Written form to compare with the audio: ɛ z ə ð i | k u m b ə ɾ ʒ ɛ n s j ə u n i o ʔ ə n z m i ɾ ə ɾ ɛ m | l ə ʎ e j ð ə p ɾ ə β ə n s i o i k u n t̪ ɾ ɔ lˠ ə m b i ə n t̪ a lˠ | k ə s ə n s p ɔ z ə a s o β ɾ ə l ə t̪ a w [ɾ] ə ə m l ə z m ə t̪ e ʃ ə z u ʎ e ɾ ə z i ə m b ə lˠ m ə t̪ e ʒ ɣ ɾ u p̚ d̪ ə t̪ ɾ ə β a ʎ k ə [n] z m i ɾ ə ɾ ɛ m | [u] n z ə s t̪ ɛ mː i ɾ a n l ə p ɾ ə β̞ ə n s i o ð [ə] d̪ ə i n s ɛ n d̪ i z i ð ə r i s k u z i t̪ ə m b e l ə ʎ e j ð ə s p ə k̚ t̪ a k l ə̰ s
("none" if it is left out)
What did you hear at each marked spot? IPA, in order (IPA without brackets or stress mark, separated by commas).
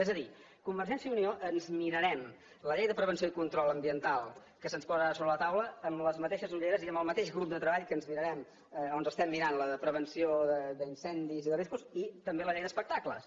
l, n, o, ə